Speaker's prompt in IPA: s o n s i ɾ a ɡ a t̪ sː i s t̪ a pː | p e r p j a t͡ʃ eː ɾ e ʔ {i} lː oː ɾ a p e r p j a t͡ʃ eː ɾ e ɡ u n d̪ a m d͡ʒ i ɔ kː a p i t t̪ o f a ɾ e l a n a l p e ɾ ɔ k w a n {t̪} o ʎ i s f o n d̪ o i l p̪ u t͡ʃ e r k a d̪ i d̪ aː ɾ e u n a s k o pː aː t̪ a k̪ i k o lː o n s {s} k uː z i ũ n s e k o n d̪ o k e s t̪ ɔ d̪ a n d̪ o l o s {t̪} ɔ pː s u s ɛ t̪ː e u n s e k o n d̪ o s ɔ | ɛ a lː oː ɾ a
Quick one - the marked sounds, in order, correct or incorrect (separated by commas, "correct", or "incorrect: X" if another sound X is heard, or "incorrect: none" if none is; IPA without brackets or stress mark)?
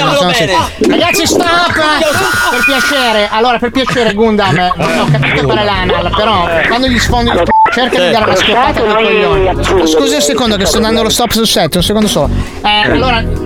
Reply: incorrect: a, incorrect: d̪, correct, correct